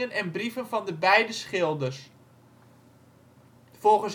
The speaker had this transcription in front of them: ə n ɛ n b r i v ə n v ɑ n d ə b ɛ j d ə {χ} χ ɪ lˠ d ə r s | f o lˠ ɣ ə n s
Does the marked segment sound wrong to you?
yes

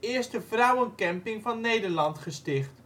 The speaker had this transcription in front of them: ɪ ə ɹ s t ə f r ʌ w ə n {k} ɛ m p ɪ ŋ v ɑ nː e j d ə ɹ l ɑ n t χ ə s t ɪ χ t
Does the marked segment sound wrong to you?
no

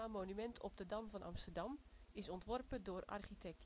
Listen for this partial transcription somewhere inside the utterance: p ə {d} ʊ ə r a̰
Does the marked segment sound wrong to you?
no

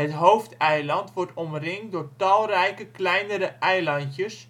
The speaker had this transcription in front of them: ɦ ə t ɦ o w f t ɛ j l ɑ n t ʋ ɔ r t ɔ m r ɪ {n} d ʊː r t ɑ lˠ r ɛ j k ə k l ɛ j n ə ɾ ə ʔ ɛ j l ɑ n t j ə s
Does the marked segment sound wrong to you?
yes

